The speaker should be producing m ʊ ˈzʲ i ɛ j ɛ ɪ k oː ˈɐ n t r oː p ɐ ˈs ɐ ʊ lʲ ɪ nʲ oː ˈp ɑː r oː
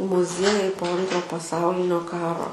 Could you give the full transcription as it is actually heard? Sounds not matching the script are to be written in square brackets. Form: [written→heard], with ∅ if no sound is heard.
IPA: m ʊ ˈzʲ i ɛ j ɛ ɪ [k→p] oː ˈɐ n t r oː p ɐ ˈs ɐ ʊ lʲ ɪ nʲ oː [ˈp→ˈk] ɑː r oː